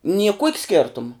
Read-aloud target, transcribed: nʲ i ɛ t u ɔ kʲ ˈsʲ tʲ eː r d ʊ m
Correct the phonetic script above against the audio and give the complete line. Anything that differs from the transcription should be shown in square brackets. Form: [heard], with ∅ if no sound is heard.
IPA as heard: nʲ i ɛ [k] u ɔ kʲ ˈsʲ [kʲ] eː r [t] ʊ m

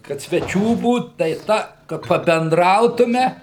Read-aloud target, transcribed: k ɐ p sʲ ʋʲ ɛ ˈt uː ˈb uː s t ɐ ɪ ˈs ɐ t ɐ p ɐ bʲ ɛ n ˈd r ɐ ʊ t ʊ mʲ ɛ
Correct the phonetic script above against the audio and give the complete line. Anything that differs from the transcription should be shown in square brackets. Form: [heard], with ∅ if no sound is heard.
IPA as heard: k ɐ [t] sʲ ʋʲ ɛ [ˈt͡ʃʲ] uː ˈb uː [t] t ɐ ɪ [ˈt] ɐ [k] ɐ p ɐ bʲ ɛ n ˈd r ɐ ʊ t ʊ mʲ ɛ

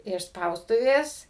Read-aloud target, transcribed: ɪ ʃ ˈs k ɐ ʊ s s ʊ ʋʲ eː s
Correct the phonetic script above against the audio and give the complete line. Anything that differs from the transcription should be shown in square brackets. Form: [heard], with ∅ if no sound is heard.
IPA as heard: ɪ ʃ ˈs [p] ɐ ʊ s [t] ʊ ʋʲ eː s

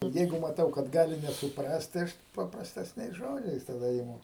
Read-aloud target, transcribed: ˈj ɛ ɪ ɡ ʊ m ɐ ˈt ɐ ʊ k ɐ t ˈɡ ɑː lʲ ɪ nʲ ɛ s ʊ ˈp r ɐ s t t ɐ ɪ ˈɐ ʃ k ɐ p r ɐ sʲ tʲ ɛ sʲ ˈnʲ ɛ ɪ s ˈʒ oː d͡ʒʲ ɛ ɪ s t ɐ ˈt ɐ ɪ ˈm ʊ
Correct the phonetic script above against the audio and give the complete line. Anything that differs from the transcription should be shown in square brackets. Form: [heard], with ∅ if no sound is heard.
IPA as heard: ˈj ɛ ɪ ɡ ʊ m ɐ ˈt ɐ ʊ k ɐ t ˈɡ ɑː lʲ ɪ nʲ ɛ s ʊ ˈp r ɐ s t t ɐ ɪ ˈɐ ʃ [p] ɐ p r ɐ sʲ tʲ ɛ sʲ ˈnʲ ɛ ɪ s ˈʒ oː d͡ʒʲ ɛ ɪ s t ɐ [ˈd] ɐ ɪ ˈm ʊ

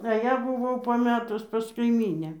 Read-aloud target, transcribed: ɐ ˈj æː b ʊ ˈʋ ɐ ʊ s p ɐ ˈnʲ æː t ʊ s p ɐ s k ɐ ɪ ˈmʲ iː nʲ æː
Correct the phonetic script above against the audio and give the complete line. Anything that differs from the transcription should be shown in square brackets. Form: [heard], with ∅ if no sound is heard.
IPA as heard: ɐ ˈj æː b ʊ ˈʋ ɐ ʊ [∅] p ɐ [ˈmʲ] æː t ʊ s p ɐ s k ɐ ɪ ˈmʲ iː nʲ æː

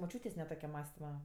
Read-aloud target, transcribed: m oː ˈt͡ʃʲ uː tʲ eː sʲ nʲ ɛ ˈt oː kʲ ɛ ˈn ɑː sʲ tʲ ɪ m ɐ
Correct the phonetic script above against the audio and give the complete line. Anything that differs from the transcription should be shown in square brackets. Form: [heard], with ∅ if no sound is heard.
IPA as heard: m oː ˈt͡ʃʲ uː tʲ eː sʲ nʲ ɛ ˈt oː kʲ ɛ [ˈm] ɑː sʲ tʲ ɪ m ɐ

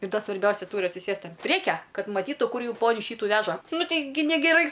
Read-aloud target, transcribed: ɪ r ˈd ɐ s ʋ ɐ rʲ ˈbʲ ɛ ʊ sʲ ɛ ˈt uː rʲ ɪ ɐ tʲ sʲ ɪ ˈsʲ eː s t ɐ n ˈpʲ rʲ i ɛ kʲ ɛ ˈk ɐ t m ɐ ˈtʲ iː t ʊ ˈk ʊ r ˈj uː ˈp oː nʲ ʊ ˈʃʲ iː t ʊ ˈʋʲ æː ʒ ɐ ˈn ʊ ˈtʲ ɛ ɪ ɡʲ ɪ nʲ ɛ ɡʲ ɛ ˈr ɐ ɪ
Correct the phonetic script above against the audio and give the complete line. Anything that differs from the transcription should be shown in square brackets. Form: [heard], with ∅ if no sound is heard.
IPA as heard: ɪ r ˈd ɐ s ʋ ɐ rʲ ˈbʲ ɛ ʊ sʲ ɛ ˈt uː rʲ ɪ ɐ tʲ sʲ ɪ ˈsʲ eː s t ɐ n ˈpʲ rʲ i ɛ kʲ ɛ ˈk ɐ t m ɐ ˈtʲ iː t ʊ ˈk ʊ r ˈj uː ˈp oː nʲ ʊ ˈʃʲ iː t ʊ ˈʋʲ æː ʒ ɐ ˈn ʊ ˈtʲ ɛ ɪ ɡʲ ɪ nʲ ɛ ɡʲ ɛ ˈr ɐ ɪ

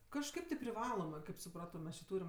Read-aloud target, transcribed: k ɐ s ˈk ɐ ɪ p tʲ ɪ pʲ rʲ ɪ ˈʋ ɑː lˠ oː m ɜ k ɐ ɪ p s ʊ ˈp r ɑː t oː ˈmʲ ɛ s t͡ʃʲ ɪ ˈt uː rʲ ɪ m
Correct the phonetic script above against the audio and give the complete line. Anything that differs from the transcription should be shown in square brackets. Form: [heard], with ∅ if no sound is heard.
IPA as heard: k ɐ [ʃ] ˈk ɐ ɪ p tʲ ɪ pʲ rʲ ɪ ˈʋ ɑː lˠ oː m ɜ k ɐ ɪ p s ʊ ˈp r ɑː t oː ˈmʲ ɛ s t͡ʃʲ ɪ ˈt uː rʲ ɪ m

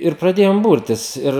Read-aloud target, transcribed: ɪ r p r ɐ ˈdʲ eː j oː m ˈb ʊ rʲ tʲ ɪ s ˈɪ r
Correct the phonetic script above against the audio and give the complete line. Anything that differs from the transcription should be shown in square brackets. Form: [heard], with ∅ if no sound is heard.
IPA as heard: ɪ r p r ɐ ˈdʲ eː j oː m ˈb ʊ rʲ tʲ ɪ s ˈɪ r

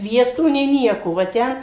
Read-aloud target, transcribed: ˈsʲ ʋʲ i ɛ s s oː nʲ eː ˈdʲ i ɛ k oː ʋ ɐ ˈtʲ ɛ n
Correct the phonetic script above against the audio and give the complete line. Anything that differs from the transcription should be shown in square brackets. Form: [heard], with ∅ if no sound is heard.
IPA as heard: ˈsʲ ʋʲ i ɛ s [t] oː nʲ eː [ˈnʲ] i ɛ k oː ʋ ɐ ˈtʲ ɛ n

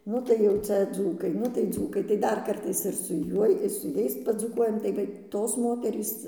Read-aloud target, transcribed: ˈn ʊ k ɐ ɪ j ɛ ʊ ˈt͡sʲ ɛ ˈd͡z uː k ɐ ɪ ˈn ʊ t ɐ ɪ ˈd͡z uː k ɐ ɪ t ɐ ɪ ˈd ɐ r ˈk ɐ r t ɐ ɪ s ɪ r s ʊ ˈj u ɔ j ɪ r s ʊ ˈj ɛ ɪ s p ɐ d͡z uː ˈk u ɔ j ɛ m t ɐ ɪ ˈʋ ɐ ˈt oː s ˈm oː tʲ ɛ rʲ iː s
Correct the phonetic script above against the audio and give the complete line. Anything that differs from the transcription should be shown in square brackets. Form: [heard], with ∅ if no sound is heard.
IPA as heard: ˈn ʊ [t] ɐ ɪ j ɛ ʊ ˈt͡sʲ ɛ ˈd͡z uː k ɐ ɪ ˈn ʊ t ɐ ɪ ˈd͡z uː k ɐ ɪ t ɐ ɪ ˈd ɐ r ˈk ɐ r t ɐ ɪ s ɪ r s ʊ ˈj u ɔ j ɪ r s ʊ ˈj ɛ ɪ s p ɐ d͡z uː ˈk u ɔ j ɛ m t ɐ ɪ ˈʋ ɐ ˈt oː s ˈm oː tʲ ɛ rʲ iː s

